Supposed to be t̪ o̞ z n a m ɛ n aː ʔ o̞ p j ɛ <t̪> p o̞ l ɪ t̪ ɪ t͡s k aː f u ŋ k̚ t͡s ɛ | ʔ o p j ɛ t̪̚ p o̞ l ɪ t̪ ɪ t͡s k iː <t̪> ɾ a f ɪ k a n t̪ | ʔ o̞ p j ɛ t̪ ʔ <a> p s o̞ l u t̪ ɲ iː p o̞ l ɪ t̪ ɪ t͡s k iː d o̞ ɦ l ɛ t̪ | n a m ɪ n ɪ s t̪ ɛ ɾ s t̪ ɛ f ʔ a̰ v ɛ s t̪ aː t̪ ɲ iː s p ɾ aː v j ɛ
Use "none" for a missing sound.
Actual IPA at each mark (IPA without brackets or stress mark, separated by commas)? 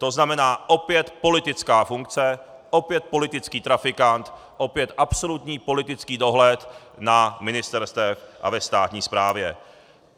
t̪, t̪, a